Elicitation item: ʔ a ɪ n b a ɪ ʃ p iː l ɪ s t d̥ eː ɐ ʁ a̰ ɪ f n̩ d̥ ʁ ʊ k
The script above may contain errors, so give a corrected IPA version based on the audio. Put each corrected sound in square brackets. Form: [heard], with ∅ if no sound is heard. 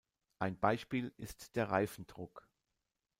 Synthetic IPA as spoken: ʔ a ɪ n b a ɪ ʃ p iː l ɪ s t d̥ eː ɐ ʁ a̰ ɪ f n̩ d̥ ʁ ʊ k